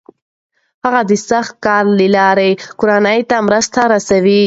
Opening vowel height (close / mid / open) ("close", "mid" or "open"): open